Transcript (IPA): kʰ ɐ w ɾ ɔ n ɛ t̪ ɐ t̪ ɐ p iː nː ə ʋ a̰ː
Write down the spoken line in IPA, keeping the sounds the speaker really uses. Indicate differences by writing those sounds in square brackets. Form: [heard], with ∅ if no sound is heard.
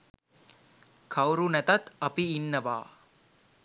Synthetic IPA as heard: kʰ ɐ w ɾ [u] n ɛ t̪ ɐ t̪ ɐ p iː nː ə ʋ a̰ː